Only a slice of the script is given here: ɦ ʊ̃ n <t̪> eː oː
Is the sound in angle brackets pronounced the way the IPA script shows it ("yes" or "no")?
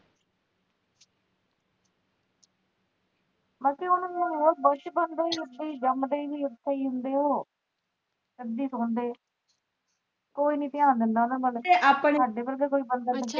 no